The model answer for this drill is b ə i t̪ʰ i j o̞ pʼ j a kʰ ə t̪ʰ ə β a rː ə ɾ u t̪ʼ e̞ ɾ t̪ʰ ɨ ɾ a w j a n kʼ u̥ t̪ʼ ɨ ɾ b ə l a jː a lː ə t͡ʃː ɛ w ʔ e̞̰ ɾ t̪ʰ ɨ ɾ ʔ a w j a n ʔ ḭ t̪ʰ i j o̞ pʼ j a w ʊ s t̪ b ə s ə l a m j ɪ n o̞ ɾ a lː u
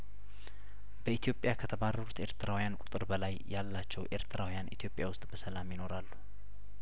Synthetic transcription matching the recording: b ə i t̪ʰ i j o̞ pʼ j a kʰ ə t̪ʰ ə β a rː ə ɾ u t̪ e̞ ɾ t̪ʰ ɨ ɾ a w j a n kʼ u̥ t̪ʼ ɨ ɾ b ə l a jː a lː a t͡ʃː ɛ w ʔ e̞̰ ɾ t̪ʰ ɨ ɾ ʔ a w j a n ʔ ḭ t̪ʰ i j o̞ pʼ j a w ʊ s t̪ʼ b ə s ə l a m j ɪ n o̞ ɾ a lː u